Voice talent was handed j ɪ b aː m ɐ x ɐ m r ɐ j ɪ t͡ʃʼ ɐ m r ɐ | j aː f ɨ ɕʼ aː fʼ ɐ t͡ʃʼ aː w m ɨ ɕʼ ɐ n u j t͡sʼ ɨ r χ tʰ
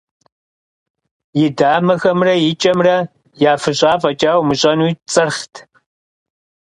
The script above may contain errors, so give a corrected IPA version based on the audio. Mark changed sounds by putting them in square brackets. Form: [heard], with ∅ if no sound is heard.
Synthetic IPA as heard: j ɪ [d] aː m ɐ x ɐ m r ɐ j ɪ t͡ʃʼ ɐ m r ɐ | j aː f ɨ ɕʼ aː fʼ ɐ t͡ʃʼ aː w m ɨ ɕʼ ɐ n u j t͡sʼ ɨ r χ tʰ